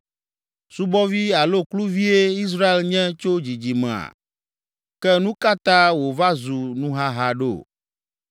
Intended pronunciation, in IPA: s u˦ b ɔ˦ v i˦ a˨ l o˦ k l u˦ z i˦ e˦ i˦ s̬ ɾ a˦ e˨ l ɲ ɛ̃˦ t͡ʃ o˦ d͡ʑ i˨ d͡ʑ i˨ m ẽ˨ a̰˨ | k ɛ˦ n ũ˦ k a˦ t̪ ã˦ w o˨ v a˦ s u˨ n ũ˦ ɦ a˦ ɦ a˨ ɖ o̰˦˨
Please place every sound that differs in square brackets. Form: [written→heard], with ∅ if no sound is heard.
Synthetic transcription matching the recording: s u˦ b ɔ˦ v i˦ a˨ l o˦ k l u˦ [z→v] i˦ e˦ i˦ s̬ ɾ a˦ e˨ l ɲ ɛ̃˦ t͡ʃ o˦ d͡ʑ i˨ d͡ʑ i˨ m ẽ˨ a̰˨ | k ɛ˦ n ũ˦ k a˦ t̪ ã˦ w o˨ v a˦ [s→z] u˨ n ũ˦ ɦ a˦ ɦ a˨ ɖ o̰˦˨